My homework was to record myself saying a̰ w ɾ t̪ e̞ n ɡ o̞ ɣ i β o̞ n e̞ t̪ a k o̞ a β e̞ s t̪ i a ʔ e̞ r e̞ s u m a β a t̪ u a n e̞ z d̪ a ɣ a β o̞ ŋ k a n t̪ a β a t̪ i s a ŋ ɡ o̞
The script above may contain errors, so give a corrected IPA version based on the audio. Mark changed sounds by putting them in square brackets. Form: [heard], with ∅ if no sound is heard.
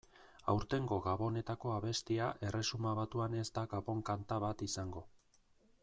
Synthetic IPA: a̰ w ɾ t̪ e̞ [ŋ] ɡ o̞ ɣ [a] β o̞ n e̞ t̪ a k o̞ a β e̞ s t̪ i a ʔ e̞ r e̞ s u m a β a t̪ u a n e̞ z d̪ a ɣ a β o̞ ŋ k a n t̪ a β a t̪ i s a ŋ ɡ o̞

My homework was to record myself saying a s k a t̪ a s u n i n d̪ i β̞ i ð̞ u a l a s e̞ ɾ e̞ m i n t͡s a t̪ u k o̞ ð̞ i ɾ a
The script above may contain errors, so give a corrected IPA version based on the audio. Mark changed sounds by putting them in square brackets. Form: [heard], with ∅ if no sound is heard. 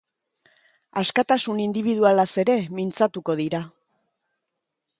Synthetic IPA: a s k a t̪ a s u n i n d̪ i β̞ i ð̞ u a l a s e̞ ɾ e̞ m i n t͡s a t̪ u k o̞ ð̞ i ɾ a

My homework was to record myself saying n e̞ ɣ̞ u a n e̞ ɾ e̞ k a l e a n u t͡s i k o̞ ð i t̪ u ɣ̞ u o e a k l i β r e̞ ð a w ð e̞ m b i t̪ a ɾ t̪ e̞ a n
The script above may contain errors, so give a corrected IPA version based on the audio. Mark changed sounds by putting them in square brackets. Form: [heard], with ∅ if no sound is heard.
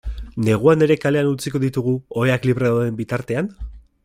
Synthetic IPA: n e̞ ɣ̞ u a n e̞ ɾ e̞ k a l e a n u t͡s i k o̞ ð i t̪ u ɣ̞ u o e a k l i β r e̞ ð a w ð e̞ m b i t̪ a ɾ t̪ e̞ a n

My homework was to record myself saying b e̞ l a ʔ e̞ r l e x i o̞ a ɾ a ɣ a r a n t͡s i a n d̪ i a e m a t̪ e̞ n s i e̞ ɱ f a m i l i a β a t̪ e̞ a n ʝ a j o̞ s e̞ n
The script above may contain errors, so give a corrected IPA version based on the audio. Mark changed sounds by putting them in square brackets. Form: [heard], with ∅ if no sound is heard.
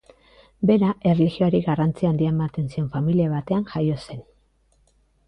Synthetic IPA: b e̞ [ɾ] a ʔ e̞ r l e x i o̞ a ɾ [i] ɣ a r a n t͡s i a n d̪ i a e m a t̪ e̞ n s i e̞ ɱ f a m i l i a β a t̪ e̞ a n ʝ a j o̞ s e̞ n

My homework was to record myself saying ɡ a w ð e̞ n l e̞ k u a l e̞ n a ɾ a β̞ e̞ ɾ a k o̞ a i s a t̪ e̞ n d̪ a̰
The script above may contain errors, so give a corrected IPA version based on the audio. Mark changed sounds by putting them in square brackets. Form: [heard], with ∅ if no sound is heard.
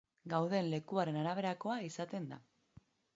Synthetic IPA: ɡ a w ð e̞ n l e̞ k u a [ɾ] e̞ n a ɾ a β̞ e̞ ɾ a k o̞ a i s a t̪ e̞ n d̪ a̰

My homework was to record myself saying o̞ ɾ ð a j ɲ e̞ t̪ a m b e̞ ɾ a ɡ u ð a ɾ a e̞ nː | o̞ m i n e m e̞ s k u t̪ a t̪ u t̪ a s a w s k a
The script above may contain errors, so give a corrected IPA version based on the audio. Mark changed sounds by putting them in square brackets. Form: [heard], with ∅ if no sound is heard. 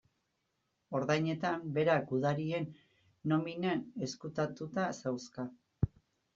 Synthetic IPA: o̞ ɾ ð a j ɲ e̞ t̪ a m b e̞ ɾ a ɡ u ð a ɾ [i] e̞ nː | o̞ m i n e [n] e̞ s k u t̪ a t̪ u t̪ a s a w s k a

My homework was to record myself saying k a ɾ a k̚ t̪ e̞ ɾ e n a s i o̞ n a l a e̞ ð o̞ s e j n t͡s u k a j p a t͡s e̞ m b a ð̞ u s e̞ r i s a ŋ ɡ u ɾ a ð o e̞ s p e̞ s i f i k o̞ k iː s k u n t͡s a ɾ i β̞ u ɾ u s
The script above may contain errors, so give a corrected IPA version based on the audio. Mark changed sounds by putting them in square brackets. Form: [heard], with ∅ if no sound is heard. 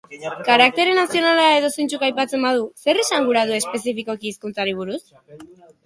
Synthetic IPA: k a ɾ a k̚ t̪ e̞ ɾ e n a s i o̞ n a l a e̞ ð o̞ s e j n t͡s u k a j p a t͡s e̞ m b a ð̞ u s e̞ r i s a ŋ ɡ u ɾ a ð [u] e̞ s p e̞ s i f i k o̞ k iː s k u n t͡s a ɾ i β̞ u ɾ u s

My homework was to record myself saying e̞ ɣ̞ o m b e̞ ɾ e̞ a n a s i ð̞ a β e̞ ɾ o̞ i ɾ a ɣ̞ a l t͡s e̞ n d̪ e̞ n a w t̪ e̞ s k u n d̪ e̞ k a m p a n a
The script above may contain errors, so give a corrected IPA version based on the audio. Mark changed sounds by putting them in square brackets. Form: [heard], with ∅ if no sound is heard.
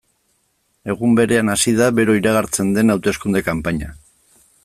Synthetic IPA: e̞ ɣ̞ [u] m b e̞ ɾ e̞ a n a s i ð̞ a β e̞ ɾ o̞ i ɾ a ɣ̞ a [ɾ] t͡s e̞ n d̪ e̞ n a w t̪ e̞ s k u n d̪ e̞ k a m p a [ɲ] a

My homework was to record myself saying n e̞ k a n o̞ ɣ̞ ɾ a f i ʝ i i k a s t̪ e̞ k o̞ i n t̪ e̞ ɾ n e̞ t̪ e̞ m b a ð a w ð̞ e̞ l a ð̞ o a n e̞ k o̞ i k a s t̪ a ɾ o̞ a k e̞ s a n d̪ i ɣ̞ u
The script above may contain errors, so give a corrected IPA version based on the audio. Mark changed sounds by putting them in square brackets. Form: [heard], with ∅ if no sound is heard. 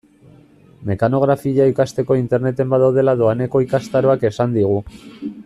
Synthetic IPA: [m] e̞ k a n o̞ ɣ̞ ɾ a f i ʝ [a] i k a s t̪ e̞ k o̞ i n t̪ e̞ ɾ n e̞ t̪ e̞ m b a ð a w ð̞ e̞ l a ð̞ o a n e̞ k o̞ i k a s t̪ a ɾ o̞ a k e̞ s a n d̪ i ɣ̞ u

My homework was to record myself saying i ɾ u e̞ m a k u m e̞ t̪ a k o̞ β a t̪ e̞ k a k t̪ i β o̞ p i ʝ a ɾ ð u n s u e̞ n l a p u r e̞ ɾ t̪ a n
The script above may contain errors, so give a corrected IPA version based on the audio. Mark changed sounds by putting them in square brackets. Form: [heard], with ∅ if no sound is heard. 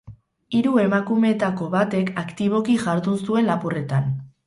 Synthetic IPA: i ɾ u e̞ m a k u m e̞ t̪ a k o̞ β a t̪ e̞ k a k t̪ i β o̞ [k] i ʝ a ɾ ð u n s u e̞ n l a p u r e̞ [∅] t̪ a n

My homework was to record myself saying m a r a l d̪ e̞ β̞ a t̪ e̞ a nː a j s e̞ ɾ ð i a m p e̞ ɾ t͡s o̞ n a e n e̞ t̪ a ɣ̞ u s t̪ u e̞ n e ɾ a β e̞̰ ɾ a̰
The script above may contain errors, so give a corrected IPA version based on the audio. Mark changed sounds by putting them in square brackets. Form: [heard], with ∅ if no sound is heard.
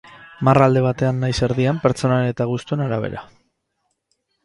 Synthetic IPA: m a r a l d̪ e̞ β̞ a t̪ e̞ a nː a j s e̞ ɾ ð i a m p e̞ ɾ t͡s o̞ n a e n e̞ t̪ a ɣ̞ u s t̪ u e̞ n [a] ɾ a β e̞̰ ɾ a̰

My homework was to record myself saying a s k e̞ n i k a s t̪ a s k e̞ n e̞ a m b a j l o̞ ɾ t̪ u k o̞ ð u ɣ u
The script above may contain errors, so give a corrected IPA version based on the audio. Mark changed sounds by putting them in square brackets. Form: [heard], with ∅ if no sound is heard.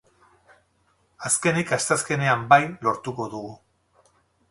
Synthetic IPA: a s k e̞ n i k a s t̪ a s k e̞ n e̞ a m b a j l o̞ ɾ t̪ u k o̞ ð u ɣ u

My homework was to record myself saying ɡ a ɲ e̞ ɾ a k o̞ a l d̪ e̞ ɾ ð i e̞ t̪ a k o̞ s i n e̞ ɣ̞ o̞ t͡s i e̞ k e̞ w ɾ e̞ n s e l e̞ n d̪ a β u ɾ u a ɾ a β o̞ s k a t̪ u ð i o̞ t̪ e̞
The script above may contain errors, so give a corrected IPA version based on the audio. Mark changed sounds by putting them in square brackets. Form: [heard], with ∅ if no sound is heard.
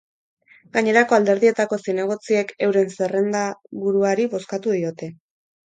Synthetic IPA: ɡ a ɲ e̞ ɾ a k o̞ a l d̪ e̞ ɾ ð i e̞ t̪ a k o̞ s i n e̞ ɣ̞ o̞ t͡s i e̞ k e̞ w ɾ e̞ n s e [r] e̞ n d̪ a β u ɾ u a ɾ [i] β o̞ s k a t̪ u ð i o̞ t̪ e̞

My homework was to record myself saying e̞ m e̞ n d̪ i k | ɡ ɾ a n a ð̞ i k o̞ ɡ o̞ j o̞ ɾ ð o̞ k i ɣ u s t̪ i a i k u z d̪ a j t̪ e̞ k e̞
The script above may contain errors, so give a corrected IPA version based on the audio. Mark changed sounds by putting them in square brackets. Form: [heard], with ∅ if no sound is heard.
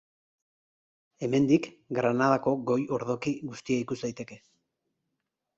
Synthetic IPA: e̞ m e̞ n d̪ i k | ɡ ɾ a n a ð̞ [a] k o̞ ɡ o̞ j o̞ ɾ ð o̞ k i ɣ u s t̪ i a i k u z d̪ a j t̪ e̞ k e̞

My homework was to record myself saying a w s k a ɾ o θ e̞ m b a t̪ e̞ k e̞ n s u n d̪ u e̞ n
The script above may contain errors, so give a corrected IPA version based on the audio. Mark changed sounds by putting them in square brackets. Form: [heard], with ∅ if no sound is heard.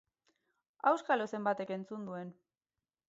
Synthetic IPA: a w s k a [l] o [s] e̞ m b a t̪ e̞ k e̞ n [t͡s] u n d̪ u e̞ n

